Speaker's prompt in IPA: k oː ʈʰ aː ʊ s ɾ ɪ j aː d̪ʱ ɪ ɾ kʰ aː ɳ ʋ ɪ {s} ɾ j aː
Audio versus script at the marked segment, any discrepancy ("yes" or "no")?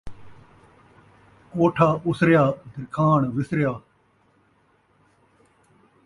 no